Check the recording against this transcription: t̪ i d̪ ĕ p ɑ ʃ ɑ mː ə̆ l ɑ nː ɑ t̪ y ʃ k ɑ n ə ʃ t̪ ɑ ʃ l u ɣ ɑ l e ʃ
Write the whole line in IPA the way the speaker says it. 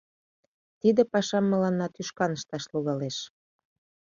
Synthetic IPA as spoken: t̪ i d̪ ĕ p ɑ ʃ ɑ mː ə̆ l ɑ nː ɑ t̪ y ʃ k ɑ n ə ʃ t̪ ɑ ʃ l u ɣ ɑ l e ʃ